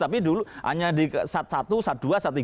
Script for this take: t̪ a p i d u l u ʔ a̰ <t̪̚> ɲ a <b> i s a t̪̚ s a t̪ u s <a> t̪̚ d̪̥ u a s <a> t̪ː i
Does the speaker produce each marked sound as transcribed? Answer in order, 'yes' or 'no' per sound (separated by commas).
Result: no, no, yes, yes